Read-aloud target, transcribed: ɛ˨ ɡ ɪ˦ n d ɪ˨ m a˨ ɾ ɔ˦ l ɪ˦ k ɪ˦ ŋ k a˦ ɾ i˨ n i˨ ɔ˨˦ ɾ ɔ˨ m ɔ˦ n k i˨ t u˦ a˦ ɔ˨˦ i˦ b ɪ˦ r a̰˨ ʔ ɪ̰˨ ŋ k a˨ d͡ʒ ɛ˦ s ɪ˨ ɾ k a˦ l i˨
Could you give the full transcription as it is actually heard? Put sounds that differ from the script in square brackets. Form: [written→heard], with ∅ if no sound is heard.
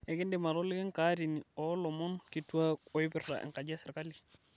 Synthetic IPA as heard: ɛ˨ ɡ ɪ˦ n d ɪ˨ m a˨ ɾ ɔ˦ l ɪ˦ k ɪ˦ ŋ k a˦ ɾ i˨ n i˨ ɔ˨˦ [ɾ→l] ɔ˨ m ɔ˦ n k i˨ t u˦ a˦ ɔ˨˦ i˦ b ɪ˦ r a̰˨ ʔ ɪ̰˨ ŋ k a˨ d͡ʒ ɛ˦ s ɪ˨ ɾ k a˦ l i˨

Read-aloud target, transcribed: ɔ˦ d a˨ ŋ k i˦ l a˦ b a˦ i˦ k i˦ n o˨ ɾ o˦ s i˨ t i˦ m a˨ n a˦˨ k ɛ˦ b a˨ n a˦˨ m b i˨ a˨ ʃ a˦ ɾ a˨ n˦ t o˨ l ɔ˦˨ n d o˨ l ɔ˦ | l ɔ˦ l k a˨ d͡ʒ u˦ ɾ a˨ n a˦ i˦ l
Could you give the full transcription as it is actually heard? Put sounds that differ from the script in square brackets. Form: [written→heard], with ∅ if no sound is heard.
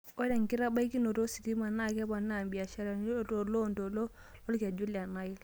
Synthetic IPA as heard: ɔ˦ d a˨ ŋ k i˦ [l→ɾ] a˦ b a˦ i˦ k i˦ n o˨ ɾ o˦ s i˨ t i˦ m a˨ n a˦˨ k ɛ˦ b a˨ n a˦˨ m b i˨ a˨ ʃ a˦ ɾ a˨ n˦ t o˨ l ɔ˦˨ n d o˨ l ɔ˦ | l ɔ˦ l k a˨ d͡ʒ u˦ [ɾ→l] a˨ n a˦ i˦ l

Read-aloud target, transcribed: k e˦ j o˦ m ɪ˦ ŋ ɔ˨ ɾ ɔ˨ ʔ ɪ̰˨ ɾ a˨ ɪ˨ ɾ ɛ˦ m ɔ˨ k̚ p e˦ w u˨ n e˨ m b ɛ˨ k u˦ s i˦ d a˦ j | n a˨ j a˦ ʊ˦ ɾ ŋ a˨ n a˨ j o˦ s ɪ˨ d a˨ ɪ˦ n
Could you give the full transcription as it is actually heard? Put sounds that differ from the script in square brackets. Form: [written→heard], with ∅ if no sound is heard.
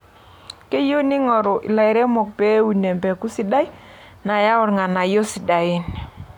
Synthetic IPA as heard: k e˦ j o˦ [m→n] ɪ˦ ŋ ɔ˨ ɾ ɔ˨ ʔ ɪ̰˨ [ɾ→l] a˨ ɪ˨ ɾ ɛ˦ m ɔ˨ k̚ p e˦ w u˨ n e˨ m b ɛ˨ k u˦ s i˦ d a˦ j | n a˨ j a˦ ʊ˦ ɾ ŋ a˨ n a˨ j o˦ s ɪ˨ d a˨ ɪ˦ n

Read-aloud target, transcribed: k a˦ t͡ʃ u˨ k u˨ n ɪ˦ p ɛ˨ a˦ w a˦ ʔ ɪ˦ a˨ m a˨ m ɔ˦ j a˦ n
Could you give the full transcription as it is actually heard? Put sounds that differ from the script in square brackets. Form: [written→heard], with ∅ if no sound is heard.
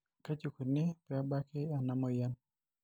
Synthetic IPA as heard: k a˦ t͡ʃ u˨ k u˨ n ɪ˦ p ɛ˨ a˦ [w→b] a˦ [ʔ→k] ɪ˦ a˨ [m→n] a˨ m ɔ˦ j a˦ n

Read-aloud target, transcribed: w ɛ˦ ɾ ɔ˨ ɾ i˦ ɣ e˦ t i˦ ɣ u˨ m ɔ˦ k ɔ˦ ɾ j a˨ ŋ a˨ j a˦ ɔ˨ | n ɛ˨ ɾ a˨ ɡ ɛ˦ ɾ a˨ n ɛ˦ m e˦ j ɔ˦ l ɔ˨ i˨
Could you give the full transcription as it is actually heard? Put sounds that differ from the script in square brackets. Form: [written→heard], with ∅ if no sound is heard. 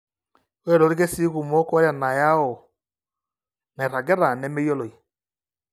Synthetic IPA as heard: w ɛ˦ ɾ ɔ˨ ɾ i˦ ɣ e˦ [t→s] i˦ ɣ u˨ m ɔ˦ k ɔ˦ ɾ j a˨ [ŋ→n] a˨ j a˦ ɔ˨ | n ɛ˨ ɾ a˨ ɡ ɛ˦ ɾ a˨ n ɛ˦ m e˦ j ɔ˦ l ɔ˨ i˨

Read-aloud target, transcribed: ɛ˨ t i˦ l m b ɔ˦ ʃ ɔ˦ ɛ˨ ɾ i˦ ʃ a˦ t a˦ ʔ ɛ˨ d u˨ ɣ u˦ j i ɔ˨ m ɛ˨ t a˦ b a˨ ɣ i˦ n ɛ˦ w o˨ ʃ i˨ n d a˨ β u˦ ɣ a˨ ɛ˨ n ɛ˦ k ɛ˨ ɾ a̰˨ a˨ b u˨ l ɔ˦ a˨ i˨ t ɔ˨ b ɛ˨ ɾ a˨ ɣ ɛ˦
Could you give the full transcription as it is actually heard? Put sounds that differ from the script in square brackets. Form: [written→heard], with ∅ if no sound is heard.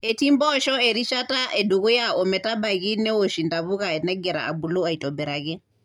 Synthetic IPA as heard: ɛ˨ t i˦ [l→∅] m b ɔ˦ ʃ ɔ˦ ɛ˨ ɾ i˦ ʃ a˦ t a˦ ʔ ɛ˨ d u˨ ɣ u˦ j [i→a] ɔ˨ m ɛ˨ t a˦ b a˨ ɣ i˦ n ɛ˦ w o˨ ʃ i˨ n d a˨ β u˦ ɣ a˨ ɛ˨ n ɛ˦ [k→ɡ] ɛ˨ ɾ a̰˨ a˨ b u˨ l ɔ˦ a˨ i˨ t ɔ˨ b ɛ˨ ɾ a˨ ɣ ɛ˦

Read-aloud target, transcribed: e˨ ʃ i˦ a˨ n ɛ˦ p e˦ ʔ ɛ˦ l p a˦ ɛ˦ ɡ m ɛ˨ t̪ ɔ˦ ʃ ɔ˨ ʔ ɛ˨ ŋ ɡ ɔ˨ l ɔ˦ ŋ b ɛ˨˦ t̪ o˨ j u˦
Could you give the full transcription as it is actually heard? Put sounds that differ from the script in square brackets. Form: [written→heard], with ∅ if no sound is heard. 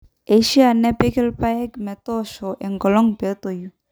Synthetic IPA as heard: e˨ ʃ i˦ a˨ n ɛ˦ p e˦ [ʔ→k] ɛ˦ l p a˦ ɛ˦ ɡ m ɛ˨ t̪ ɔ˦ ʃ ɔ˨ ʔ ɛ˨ ŋ ɡ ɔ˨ l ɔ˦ ŋ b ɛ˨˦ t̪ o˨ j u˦

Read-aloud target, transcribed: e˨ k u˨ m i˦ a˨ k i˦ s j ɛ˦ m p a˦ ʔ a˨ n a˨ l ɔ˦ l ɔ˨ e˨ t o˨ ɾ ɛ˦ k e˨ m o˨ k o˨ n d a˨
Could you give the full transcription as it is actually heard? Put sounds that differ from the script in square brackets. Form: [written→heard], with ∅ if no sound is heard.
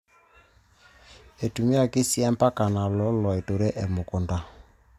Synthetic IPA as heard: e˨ [k→t] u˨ m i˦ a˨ k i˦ s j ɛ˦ m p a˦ [ʔ→k] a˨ n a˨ l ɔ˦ l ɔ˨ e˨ t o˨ ɾ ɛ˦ [k→ʔ] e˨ m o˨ k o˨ n d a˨

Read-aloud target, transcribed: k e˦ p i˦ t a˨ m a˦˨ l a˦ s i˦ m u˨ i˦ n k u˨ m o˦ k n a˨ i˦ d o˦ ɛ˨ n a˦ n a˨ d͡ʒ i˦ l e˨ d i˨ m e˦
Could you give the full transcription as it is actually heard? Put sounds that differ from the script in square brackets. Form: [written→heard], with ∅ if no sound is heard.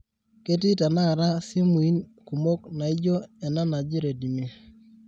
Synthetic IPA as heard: k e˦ [p→t] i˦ t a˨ [m→n] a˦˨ [l→ɾ] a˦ s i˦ m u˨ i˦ n k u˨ m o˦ k n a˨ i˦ [d→d͡ʒ] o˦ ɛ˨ n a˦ n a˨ d͡ʒ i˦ [l→ɾ] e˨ d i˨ m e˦

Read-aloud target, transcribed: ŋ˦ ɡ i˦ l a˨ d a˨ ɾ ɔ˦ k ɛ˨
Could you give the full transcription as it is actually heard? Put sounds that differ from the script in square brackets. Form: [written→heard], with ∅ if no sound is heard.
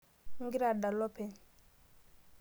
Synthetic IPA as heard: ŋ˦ ɡ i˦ [l→ɾ] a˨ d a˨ [ɾ→l] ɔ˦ [k→p] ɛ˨

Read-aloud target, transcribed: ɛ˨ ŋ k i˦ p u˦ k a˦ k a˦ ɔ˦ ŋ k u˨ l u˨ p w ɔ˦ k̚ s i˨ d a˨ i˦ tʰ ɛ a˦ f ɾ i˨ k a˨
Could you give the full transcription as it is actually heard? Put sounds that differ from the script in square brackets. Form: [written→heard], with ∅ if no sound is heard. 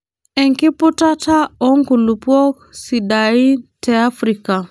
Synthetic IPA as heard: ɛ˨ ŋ k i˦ p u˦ [k→t] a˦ [k→t] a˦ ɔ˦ ŋ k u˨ l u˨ p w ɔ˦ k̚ s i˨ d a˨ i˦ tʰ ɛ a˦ f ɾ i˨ k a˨

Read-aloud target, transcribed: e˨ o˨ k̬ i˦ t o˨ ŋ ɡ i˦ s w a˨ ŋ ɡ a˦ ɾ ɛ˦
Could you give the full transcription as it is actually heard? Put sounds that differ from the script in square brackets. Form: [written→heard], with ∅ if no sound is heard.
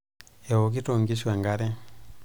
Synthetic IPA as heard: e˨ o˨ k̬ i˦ t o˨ ŋ ɡ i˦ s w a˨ ŋ ɡ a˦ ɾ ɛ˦

